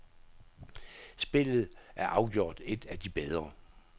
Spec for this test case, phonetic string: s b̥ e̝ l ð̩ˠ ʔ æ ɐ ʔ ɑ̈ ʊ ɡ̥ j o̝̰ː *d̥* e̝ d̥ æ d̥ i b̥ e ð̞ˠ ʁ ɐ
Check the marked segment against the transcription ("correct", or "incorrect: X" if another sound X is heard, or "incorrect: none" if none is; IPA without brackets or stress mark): correct